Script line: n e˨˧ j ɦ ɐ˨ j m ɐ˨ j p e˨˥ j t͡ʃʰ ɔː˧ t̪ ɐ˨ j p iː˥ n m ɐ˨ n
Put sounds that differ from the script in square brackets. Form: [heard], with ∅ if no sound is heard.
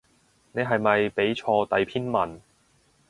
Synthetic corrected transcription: n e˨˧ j ɦ ɐ˨ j m ɐ˨ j p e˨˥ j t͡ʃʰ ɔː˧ t̪ ɐ˨ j [pʰ] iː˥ n m ɐ˨ n